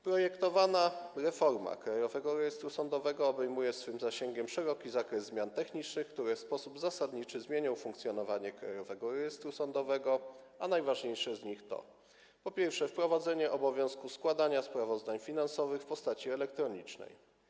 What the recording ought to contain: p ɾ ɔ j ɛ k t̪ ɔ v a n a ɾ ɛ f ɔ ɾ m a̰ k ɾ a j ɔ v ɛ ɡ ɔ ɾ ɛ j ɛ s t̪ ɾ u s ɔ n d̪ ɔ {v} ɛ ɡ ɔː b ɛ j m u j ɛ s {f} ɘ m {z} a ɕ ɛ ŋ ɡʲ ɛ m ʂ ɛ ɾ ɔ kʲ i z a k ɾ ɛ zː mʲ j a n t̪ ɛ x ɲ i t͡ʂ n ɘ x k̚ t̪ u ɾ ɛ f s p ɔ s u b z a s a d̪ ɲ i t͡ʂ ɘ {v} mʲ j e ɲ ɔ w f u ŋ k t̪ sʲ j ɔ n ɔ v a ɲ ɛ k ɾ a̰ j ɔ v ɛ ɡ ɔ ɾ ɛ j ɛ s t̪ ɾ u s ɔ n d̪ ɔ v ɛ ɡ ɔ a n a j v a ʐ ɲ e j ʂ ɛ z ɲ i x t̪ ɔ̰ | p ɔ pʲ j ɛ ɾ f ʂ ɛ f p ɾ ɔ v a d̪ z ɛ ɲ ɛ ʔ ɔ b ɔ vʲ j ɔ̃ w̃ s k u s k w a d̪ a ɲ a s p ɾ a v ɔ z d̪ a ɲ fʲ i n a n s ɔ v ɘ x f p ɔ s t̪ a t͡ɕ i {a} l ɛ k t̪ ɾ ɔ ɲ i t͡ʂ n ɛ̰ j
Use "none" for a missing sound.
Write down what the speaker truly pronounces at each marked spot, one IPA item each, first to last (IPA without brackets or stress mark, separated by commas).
v, f, z, z, ɛ